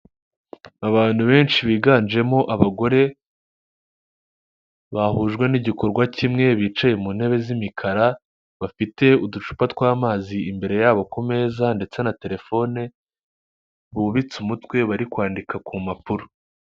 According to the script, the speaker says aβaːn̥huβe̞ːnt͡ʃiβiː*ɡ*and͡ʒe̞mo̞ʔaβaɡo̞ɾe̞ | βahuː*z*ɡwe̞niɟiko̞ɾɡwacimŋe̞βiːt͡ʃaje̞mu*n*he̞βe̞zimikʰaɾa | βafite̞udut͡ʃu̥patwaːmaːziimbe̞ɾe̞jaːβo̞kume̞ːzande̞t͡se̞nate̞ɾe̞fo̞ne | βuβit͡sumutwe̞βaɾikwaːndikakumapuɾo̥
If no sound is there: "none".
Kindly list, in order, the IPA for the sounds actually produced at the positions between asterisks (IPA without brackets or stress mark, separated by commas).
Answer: ɡ, ʒ, n